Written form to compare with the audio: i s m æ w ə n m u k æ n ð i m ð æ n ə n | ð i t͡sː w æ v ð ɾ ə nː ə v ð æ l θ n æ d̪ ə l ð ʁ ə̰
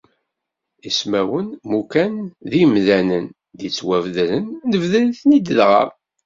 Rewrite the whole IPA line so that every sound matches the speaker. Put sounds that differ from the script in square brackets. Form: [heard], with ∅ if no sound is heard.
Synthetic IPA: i s m æ w ə n m u k æ n ð i m ð æ n ə n | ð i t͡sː w æ v ð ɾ ə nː ə v ð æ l θ n [i] d̪ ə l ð ʁ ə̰